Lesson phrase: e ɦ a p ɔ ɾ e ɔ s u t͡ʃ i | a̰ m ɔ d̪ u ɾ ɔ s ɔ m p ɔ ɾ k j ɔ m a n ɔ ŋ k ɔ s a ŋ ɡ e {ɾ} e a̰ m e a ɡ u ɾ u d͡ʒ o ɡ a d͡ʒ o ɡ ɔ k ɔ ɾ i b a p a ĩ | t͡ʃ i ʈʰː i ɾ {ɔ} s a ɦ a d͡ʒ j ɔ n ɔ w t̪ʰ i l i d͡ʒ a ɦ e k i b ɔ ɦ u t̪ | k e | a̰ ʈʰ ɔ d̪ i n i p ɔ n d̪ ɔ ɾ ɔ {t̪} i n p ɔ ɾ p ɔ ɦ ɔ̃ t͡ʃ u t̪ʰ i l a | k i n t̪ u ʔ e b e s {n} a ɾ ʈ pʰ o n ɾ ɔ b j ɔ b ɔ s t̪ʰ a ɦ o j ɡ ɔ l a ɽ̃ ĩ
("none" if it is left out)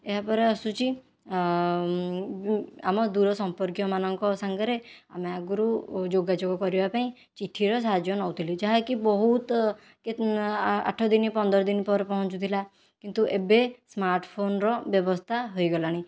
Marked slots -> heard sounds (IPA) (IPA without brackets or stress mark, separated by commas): ɾ, ɔ, d̪, m